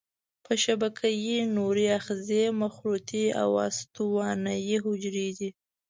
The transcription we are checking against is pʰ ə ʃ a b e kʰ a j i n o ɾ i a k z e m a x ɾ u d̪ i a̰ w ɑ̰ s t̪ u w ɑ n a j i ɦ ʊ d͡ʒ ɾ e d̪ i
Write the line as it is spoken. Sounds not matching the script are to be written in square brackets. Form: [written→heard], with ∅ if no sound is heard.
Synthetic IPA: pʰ ə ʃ a b [e→a] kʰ a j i n o ɾ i a [k→x] z e m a x ɾ u [d̪→t̪] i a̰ w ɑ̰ s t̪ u w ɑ n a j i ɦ ʊ d͡ʒ ɾ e d̪ i